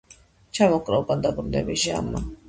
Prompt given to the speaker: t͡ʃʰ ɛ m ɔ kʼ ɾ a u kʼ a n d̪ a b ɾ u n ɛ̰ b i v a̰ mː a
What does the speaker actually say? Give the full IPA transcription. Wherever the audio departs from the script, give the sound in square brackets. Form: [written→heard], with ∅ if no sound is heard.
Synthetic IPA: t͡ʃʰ [ɛ→a] m ɔ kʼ ɾ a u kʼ a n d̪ a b ɾ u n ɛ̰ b i [v→ʒ] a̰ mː a